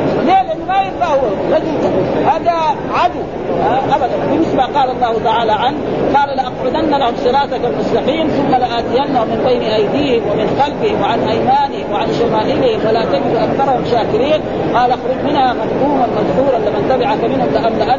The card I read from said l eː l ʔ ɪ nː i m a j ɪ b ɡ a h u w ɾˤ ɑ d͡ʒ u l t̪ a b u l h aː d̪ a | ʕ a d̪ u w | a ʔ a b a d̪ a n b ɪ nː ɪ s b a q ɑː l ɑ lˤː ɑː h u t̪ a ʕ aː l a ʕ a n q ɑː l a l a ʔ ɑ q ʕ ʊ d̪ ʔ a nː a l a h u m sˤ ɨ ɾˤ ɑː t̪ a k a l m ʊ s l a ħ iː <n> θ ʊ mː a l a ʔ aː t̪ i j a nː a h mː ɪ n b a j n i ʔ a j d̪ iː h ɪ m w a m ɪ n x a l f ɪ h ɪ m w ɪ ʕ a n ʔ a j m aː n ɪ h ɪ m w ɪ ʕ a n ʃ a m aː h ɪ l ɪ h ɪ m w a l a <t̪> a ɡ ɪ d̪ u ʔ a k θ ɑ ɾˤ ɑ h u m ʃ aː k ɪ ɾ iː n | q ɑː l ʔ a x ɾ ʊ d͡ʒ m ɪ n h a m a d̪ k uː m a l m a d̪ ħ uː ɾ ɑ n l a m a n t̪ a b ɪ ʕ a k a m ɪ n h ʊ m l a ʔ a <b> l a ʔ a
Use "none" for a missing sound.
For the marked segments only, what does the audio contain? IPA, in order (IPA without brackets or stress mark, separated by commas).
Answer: n, t̪, m